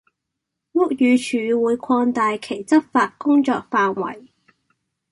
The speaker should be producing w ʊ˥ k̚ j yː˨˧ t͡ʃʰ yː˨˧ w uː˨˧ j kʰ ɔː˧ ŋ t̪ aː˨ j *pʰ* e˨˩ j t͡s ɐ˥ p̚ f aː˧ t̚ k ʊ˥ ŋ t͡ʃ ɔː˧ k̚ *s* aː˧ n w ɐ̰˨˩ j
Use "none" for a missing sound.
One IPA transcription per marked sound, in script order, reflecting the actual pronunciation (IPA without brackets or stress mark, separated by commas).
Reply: kʰ, f